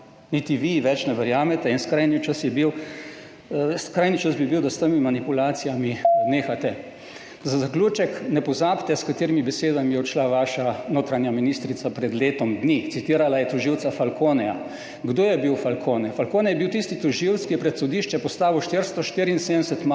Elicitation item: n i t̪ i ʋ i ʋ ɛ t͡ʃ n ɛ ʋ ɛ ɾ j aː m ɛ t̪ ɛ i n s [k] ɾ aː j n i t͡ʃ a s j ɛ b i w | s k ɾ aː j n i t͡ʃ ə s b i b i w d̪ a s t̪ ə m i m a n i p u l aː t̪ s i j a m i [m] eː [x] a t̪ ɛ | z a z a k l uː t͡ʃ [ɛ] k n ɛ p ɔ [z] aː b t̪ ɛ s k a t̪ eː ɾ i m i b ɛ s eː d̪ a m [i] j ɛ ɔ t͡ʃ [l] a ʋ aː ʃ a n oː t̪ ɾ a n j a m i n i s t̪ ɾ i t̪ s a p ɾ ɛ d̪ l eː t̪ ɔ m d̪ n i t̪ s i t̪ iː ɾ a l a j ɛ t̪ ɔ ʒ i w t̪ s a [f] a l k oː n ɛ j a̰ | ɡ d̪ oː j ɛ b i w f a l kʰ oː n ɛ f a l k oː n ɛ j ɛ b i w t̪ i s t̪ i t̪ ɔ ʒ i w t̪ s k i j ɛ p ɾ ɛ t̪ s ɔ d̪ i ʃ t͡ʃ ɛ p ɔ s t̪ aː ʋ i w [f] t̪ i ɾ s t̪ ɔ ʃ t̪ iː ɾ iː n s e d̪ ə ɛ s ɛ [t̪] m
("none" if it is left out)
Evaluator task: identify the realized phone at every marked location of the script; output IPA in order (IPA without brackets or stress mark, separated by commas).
k, n, x, ɛ, z, i, l, f, ʃ, t̪